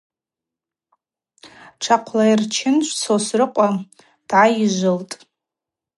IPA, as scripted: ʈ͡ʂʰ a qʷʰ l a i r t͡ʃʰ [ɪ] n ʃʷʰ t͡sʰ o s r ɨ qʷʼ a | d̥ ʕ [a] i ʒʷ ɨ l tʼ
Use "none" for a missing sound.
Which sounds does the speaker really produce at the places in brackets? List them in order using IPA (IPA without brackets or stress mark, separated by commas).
ɪ, a